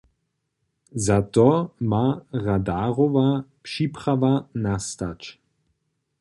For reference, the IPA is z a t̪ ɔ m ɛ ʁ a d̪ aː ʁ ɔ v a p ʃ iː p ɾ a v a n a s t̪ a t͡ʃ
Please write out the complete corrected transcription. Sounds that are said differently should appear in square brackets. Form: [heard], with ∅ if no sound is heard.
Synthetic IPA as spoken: z a t̪ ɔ m [a] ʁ a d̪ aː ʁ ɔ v a p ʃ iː p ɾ a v a n a s t̪ a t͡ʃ